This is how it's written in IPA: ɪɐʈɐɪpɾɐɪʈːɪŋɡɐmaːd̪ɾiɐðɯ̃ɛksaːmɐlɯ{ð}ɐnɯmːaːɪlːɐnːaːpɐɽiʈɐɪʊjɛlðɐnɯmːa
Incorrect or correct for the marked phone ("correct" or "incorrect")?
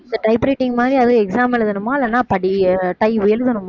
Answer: correct